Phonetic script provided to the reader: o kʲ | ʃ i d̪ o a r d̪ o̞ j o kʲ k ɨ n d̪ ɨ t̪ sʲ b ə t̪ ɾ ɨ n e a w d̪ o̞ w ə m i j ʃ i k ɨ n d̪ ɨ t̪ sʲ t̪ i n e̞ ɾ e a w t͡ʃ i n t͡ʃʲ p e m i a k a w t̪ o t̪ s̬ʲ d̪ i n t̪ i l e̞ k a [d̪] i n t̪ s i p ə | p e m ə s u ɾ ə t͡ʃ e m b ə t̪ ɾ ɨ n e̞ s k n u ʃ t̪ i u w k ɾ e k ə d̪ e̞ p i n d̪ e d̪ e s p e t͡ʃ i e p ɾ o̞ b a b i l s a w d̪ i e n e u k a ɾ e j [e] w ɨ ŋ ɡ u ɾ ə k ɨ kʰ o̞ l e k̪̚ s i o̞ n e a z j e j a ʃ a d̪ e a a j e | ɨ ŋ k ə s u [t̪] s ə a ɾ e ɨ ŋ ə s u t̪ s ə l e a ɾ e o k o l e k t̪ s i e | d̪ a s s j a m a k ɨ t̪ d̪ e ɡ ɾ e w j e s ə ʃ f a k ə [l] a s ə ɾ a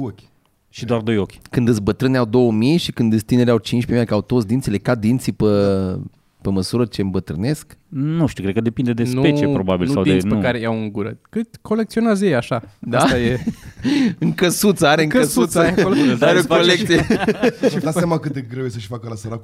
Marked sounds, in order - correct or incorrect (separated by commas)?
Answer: correct, incorrect, correct, correct